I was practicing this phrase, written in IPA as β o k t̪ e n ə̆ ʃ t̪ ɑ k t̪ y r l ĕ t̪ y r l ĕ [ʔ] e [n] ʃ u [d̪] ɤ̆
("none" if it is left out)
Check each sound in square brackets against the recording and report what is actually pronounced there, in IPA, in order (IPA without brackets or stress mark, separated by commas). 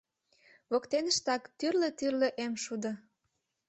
ʔ, m, d̪